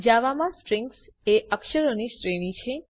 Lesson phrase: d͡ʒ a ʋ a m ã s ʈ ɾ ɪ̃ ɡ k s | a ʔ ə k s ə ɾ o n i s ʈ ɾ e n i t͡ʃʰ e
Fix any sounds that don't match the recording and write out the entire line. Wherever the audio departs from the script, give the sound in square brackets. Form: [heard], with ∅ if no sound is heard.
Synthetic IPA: d͡ʒ a ʋ a m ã s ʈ ɾ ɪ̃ [ŋ] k s | [e] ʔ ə k [ʃ] ə ɾ o n i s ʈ ɾ e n i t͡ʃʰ e